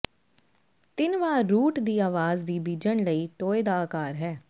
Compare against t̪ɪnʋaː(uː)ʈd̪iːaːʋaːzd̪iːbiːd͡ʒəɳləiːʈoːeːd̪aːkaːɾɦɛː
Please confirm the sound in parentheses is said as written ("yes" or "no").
yes